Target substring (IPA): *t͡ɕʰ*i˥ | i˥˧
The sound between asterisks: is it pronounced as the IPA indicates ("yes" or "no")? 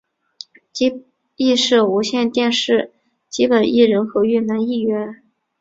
no